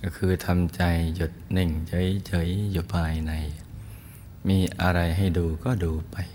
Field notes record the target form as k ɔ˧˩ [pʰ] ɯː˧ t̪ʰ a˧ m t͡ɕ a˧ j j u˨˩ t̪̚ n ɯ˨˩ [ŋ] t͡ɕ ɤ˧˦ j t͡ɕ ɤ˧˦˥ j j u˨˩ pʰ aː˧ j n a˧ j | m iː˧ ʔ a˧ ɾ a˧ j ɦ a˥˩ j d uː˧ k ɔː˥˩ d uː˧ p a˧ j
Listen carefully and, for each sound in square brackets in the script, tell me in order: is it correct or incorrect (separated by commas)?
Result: incorrect, correct